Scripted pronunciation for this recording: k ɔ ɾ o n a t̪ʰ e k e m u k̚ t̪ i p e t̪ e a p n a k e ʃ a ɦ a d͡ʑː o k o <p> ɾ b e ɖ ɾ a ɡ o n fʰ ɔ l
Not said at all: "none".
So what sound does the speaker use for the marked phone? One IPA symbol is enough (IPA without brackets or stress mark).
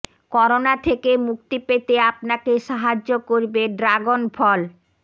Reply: none